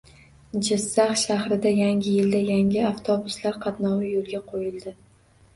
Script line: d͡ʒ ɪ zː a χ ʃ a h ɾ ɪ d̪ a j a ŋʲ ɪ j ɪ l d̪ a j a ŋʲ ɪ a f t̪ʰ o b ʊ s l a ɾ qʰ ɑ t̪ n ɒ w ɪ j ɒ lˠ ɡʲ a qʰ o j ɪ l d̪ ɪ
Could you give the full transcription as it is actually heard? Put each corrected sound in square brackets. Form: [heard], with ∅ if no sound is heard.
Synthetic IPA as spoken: d͡ʒ ɪ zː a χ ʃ a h ɾ ɪ d̪ a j a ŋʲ ɪ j ɪ l d̪ a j a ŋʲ ɪ a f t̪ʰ o b ʊ s l a ɾ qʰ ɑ t̪ n ɒ w ɪ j [o] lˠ ɡʲ a qʰ o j ɪ l d̪ ɪ